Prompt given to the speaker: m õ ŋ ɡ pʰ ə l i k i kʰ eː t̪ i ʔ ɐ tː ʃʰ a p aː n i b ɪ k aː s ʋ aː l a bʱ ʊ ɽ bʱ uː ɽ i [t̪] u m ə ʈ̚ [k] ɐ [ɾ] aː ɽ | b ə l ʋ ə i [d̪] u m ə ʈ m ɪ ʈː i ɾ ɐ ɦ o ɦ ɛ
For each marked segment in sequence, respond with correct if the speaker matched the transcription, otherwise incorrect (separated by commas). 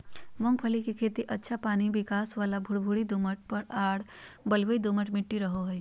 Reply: incorrect, incorrect, correct, correct